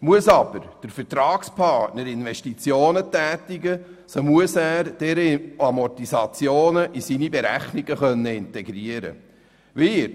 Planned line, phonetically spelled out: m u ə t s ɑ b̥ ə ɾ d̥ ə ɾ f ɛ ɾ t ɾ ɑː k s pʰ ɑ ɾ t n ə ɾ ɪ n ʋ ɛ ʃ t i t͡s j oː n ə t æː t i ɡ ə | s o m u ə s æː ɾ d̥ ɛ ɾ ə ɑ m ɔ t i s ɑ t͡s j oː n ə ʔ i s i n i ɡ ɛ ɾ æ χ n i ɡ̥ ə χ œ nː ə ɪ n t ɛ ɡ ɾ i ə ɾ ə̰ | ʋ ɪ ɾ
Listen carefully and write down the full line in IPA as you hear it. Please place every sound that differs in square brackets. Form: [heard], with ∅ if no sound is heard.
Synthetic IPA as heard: m u ə [∅] s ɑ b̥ ə ɾ d̥ ə ɾ f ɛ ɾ t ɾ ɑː k s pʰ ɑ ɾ t n ə ɾ ɪ n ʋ ɛ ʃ t i t͡s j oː n ə t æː t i ɡ ə | s o m u ə s æː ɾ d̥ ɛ ɾ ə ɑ m ɔ t i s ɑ t͡s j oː n ə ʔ i s i n i [b] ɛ ɾ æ χ n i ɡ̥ ə χ œ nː ə ɪ n t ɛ ɡ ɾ i ə ɾ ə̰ | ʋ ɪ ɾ